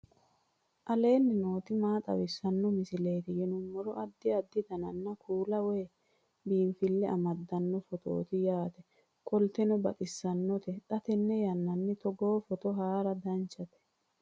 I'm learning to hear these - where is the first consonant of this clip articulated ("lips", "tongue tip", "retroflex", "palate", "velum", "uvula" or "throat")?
throat